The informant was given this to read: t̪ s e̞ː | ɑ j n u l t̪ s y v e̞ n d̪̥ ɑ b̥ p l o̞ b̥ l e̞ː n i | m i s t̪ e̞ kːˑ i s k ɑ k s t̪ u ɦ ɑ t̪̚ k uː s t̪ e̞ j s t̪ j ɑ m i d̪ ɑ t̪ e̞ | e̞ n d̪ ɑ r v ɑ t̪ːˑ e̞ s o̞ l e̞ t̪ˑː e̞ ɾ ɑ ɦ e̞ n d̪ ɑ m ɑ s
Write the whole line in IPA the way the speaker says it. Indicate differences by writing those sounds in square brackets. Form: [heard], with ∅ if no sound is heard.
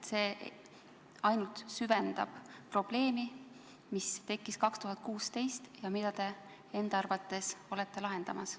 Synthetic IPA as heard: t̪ s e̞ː | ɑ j n u l t̪ s y v e̞ n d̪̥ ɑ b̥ p [r] o̞ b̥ l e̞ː [m] i | m i s t̪ e̞ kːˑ i s k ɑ k s t̪ u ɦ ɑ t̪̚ k uː s t̪ e̞ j s t̪ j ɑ m i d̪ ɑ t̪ e̞ | e̞ n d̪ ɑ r v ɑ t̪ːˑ e̞ s o̞ l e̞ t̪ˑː e̞ [l] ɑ ɦ e̞ n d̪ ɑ m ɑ s

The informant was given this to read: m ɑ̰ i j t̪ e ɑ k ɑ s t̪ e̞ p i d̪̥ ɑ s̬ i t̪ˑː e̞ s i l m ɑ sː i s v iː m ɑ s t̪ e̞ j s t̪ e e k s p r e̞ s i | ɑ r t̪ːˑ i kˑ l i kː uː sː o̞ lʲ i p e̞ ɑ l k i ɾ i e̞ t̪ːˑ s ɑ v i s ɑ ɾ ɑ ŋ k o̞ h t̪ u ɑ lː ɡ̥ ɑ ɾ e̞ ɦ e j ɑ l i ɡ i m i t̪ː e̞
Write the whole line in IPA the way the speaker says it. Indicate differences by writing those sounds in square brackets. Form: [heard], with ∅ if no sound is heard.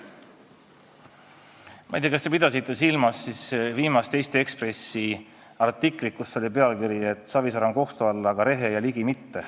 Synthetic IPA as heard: m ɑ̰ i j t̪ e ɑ k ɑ s t̪ e̞ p i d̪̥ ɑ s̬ i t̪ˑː e̞ s i l m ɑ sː i s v iː m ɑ s t̪ e̞ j s t̪ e e k s p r e̞ s i | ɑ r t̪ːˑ i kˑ l i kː [u] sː o̞ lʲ i p e̞ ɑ l k i ɾ i e̞ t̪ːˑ s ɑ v i s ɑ ɾ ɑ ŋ k o̞ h t̪ u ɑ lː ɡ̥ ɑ ɾ e̞ ɦ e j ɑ l i ɡ i m i t̪ː e̞

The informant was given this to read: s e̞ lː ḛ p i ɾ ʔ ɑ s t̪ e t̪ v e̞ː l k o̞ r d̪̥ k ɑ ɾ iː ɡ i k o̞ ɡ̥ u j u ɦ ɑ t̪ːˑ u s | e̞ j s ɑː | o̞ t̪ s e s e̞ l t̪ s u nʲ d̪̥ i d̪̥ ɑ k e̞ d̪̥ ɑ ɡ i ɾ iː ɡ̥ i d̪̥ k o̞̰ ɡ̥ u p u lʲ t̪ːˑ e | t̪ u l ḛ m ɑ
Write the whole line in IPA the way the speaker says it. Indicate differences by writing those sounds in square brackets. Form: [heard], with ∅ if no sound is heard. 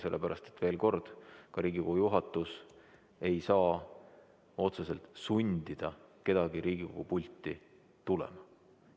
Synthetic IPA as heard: s e̞ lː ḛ p [æ] ɾ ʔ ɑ s t̪ e t̪ v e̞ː l k o̞ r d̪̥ k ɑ ɾ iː ɡ i k o̞ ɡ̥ u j u ɦ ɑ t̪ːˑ u s | e̞ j s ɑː | o̞ t̪ s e s e̞ l t̪ s u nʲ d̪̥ i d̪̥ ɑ k e̞ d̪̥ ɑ ɡ i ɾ iː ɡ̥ i [∅] k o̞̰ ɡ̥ u p u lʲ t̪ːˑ [i] | t̪ u l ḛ m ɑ

